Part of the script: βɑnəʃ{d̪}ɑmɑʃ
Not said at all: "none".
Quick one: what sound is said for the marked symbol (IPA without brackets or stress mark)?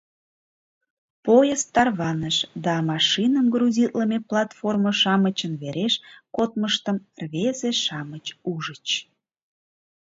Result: d̪